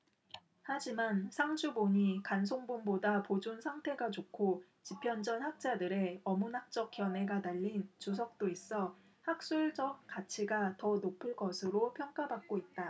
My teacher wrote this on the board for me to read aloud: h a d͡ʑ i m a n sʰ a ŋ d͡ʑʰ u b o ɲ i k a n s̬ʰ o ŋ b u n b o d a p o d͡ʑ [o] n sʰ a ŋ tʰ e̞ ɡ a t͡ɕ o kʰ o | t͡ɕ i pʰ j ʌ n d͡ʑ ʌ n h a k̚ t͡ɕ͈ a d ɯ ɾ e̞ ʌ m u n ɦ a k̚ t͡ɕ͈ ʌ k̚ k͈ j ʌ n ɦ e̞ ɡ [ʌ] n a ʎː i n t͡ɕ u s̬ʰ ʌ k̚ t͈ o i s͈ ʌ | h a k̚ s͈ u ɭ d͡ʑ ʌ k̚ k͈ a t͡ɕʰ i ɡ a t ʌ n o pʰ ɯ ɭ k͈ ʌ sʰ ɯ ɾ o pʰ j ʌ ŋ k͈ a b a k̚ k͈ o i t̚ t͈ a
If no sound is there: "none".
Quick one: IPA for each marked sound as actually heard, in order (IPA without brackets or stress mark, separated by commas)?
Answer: u, a